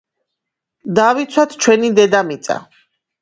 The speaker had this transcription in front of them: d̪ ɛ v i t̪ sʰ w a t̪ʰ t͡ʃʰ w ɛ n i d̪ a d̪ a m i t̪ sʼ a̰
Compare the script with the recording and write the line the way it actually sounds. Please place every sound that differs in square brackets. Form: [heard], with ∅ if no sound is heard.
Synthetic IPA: d̪ [a] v i t̪ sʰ w a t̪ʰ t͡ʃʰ w ɛ n i d̪ [ɛ] d̪ a m i t̪ sʼ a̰